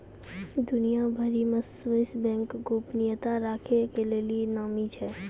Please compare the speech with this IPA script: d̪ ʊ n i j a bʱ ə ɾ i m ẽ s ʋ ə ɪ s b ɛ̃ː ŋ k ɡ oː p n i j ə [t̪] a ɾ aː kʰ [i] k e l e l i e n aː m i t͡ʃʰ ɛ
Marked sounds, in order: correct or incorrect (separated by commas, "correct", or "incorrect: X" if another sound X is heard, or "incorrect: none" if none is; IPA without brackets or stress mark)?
correct, incorrect: e